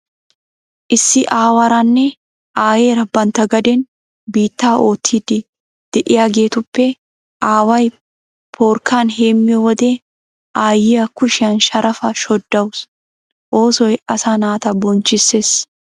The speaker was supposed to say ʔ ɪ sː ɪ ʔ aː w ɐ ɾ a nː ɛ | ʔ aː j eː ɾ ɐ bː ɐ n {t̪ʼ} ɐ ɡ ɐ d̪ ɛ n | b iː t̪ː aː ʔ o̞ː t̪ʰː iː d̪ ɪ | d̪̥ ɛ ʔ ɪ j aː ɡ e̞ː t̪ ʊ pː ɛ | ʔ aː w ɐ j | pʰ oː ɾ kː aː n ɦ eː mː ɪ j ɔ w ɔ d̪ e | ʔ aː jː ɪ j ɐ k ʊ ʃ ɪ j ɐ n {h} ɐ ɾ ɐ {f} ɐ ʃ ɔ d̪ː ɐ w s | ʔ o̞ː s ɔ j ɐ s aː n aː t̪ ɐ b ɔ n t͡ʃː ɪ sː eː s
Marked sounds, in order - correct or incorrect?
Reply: incorrect: t̪, incorrect: ʃ, correct

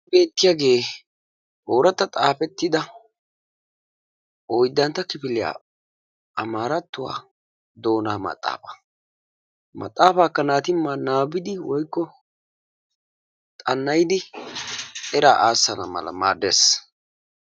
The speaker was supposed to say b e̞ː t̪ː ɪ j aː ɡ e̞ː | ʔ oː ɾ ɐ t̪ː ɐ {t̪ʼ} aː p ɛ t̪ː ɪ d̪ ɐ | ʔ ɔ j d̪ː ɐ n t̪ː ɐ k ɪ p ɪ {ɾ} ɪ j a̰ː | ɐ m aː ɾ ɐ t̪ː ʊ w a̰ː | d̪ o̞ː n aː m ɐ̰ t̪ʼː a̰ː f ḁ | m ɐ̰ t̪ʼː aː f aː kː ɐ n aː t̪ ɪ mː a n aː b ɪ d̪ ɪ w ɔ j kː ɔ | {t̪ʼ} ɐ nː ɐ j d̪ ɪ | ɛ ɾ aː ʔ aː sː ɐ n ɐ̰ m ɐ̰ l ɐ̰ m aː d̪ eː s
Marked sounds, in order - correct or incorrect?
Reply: correct, incorrect: l, correct

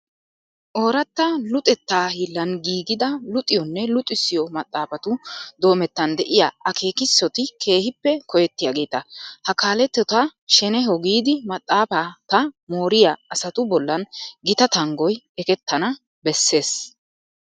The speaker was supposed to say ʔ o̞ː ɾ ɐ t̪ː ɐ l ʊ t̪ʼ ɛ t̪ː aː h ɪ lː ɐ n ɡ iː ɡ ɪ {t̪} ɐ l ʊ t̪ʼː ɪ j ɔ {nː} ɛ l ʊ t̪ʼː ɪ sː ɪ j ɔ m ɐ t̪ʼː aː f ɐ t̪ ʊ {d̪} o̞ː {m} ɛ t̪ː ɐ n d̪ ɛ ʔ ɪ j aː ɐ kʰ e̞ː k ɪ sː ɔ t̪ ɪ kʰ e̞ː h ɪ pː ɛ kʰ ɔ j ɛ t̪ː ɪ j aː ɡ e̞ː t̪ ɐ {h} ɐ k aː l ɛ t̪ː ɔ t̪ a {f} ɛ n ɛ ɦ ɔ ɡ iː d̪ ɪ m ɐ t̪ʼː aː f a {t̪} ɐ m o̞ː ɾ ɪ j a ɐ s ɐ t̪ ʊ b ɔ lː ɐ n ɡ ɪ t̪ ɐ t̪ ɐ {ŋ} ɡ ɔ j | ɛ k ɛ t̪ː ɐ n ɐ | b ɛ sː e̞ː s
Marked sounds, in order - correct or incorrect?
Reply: incorrect: d̪, correct, correct, correct, correct, incorrect: ʃ, correct, correct

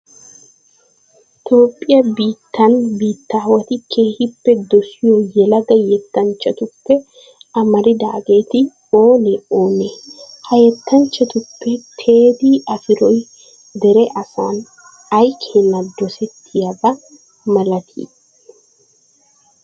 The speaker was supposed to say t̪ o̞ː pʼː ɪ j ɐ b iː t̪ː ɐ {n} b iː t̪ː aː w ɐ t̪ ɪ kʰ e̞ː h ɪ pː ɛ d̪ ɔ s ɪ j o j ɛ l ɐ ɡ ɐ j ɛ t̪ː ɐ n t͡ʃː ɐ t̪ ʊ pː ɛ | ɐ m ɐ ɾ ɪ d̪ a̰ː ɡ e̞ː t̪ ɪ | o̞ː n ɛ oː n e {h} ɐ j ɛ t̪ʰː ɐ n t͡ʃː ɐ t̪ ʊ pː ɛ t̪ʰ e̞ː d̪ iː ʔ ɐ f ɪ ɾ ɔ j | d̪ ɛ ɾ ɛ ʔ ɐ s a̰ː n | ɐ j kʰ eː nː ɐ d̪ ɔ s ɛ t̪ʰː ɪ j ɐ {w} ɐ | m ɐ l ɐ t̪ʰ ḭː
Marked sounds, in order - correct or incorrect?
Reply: correct, correct, incorrect: b

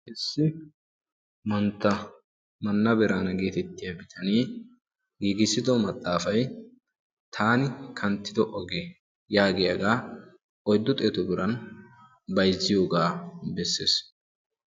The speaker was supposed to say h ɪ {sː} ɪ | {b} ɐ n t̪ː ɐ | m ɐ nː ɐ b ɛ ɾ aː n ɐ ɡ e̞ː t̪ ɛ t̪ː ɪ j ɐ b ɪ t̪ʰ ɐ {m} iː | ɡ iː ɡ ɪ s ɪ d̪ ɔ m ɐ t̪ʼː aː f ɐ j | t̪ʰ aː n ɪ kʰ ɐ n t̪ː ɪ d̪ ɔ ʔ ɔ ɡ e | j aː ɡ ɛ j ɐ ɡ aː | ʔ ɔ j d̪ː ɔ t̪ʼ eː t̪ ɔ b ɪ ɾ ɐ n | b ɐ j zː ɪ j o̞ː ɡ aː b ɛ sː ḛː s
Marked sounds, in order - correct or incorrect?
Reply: correct, incorrect: m, incorrect: n

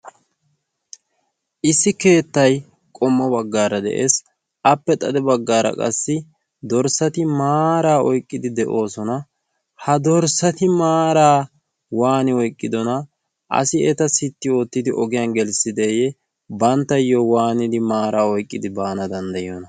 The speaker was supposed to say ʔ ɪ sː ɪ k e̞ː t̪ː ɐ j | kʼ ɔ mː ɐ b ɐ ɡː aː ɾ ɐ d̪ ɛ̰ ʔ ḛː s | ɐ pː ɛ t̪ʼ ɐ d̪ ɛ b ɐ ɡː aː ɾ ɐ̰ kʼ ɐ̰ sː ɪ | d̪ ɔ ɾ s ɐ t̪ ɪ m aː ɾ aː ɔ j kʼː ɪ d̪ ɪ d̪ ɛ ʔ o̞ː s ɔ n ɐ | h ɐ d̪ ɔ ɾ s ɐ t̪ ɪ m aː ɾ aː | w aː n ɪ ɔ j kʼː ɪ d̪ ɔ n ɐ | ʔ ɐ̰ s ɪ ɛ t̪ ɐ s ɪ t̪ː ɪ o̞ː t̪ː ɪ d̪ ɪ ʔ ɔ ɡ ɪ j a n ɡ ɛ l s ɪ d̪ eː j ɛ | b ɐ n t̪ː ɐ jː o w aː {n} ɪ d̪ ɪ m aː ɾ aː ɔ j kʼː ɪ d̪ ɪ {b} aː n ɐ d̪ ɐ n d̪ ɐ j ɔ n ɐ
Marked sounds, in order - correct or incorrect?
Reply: correct, correct

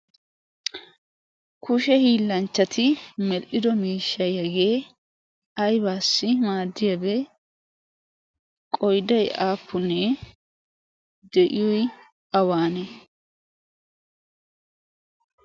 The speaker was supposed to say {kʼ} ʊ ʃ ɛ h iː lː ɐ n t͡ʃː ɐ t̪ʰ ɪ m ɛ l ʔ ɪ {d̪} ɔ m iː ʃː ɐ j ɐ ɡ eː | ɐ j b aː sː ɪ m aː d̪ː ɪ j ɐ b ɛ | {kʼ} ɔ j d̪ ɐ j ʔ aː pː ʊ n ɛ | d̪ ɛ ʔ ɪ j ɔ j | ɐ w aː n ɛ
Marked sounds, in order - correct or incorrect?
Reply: incorrect: k, correct, correct

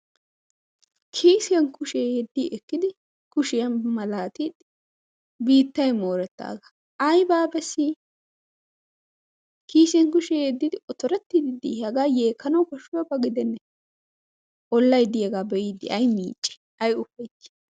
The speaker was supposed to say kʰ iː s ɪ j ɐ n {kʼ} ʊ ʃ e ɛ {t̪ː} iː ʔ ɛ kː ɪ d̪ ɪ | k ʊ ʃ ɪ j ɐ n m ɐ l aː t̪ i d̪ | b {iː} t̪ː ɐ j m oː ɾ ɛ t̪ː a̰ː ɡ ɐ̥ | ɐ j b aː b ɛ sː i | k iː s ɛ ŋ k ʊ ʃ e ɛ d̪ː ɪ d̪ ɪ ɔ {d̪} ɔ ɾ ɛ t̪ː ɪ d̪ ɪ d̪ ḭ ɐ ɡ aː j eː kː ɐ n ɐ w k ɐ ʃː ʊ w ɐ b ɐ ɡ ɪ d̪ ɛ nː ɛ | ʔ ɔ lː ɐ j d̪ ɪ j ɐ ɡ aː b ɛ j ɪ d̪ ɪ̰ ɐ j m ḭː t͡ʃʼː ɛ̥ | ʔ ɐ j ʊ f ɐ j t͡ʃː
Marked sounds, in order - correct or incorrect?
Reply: incorrect: k, incorrect: d̪ː, correct, incorrect: t̪

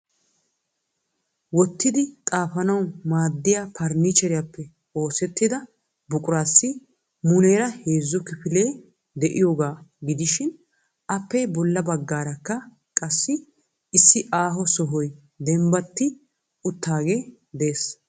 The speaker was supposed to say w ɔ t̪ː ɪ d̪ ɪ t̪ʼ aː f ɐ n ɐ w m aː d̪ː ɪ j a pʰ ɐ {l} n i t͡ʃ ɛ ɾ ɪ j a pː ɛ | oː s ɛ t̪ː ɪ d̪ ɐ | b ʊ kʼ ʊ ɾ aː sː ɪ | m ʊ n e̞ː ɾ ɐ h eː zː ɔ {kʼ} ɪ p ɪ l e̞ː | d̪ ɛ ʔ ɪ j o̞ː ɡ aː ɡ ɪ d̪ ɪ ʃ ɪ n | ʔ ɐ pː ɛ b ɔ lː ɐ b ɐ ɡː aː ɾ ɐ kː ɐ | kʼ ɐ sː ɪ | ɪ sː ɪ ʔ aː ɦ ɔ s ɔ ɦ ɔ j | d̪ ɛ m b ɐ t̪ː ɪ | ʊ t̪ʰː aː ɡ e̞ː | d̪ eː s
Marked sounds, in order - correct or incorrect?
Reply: incorrect: ɾ, incorrect: k

